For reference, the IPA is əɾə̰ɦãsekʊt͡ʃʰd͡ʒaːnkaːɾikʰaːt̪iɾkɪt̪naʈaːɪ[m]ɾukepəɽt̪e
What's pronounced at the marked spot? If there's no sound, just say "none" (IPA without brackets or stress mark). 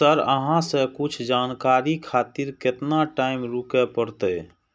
m